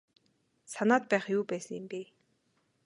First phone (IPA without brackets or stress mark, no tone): s